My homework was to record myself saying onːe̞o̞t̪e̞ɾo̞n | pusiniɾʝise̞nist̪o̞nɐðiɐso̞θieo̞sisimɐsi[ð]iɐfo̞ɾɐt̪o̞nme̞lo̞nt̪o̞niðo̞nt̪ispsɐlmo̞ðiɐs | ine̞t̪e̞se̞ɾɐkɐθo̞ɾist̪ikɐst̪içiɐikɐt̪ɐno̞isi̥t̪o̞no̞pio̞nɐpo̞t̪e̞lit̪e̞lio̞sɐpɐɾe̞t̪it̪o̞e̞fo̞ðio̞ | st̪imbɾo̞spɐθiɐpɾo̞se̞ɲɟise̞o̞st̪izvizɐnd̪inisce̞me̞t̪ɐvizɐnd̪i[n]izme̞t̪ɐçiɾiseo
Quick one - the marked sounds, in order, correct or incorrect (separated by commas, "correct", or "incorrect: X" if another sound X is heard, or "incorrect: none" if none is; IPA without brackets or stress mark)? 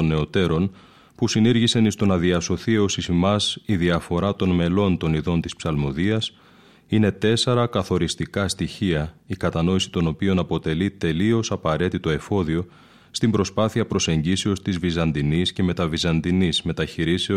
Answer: correct, correct